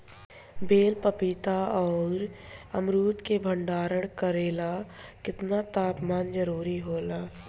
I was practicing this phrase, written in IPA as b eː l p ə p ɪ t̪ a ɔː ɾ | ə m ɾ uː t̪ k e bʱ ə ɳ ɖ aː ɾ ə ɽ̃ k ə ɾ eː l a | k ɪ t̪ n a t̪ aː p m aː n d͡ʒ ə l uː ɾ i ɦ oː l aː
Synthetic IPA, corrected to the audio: b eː l p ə p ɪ t̪ a ɔː ɾ | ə m ɾ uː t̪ k e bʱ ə ɳ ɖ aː ɾ ə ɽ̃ k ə ɾ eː l a | k ɪ t̪ n a t̪ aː p m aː n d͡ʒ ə ɾ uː ɾ i ɦ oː l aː